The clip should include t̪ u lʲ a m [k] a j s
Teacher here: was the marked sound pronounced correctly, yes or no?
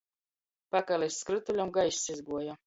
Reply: no